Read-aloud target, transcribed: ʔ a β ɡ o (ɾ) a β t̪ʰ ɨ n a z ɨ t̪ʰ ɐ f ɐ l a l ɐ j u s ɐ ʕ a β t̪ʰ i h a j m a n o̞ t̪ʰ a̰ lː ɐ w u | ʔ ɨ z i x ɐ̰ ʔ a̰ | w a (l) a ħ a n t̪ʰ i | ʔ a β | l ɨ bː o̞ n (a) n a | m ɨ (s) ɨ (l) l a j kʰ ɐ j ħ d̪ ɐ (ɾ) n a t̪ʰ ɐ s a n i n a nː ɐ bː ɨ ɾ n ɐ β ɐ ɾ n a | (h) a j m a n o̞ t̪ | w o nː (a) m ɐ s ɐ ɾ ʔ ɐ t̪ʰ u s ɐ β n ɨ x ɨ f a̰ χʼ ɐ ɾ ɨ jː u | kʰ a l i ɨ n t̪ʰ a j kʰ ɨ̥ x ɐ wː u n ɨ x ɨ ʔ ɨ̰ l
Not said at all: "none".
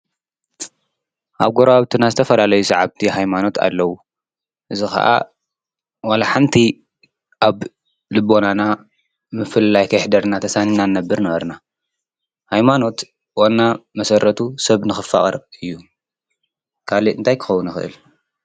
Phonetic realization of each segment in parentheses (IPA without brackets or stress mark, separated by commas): ɾ, l, a, f, l, ɾ, h, a